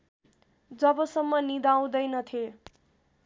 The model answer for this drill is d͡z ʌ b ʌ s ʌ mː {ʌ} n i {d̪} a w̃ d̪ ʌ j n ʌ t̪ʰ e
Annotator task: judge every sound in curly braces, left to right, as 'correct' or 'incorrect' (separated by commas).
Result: correct, correct